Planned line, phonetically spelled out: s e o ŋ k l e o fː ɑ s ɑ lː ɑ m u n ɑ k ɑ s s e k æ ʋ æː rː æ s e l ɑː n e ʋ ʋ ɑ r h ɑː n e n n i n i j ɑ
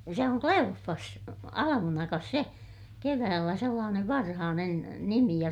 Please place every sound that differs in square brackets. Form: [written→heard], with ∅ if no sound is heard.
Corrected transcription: s e o ŋ k l e o fː ɑ s ɑ [lː→l] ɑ m u n ɑ k ɑ s s e k [æ→e] ʋ æː [rː→lː] æ s e [l→lː] ɑː n e ʋ ʋ ɑ r h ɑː n e n n i [n→m] i j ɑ